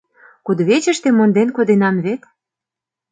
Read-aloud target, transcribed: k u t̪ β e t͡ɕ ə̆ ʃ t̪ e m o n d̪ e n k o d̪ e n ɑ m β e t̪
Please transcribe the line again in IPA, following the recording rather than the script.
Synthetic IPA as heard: k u d̪ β e t͡ɕ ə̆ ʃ t̪ e m o n d̪ e n k o d̪ e n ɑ m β e t̪